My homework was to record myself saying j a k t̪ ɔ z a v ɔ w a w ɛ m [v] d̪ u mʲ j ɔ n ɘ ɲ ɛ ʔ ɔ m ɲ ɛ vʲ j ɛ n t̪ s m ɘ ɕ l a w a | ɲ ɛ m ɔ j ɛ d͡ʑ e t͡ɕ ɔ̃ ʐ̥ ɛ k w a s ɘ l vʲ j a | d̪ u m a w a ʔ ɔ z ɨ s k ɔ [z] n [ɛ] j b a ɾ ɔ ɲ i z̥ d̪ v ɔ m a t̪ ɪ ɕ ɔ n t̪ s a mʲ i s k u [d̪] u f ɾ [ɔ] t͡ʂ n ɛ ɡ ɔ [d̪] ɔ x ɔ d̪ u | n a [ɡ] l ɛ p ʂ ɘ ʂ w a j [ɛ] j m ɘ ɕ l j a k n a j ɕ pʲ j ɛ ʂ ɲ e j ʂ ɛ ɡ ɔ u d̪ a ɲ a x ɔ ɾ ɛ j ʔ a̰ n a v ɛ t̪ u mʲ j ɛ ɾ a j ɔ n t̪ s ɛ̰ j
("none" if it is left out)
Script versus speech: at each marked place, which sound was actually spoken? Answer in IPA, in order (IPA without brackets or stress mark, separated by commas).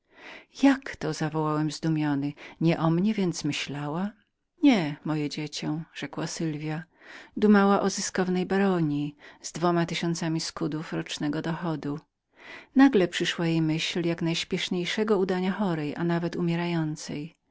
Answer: z, v, ɛ, d̪, ɔ, d̪, ɡ, e